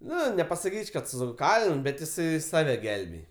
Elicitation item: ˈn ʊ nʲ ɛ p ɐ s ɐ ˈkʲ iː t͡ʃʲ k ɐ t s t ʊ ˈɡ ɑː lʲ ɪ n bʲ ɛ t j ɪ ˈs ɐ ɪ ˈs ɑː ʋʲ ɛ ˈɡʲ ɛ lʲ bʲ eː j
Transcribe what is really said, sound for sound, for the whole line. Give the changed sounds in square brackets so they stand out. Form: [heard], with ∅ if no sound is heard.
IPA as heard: ˈn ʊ nʲ ɛ p ɐ s ɐ ˈkʲ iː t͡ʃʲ k ɐ t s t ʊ [ˈk] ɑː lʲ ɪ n bʲ ɛ t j ɪ ˈs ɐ ɪ ˈs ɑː ʋʲ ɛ ˈɡʲ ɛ lʲ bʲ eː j